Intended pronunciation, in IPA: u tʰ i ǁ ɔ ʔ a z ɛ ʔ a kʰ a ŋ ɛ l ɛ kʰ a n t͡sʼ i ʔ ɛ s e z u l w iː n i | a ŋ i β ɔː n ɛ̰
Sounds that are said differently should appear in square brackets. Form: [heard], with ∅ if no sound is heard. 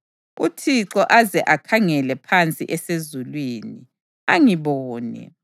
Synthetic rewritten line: u tʰ i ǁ ɔ ʔ a z ɛ ʔ a kʰ a ŋ ɛ l ɛ [pʰ] a n t͡sʼ i ʔ ɛ s e z u l w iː n i | a ŋ i β ɔː n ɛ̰